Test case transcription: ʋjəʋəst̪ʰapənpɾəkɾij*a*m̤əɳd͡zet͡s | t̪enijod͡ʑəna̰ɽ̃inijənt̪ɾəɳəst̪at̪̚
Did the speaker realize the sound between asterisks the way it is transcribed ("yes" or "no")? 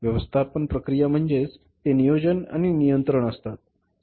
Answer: yes